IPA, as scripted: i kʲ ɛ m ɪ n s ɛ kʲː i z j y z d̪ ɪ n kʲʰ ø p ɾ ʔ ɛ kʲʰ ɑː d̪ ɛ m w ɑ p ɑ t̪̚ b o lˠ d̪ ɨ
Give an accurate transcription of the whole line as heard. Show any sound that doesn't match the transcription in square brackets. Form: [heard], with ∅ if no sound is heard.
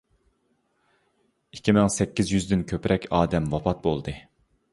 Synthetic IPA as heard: i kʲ [i] m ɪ [ŋ] s ɛ kʲː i z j y z d̪ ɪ n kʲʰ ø p ɾ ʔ ɛ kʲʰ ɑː d̪ ɛ m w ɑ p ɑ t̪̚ b o lˠ d̪ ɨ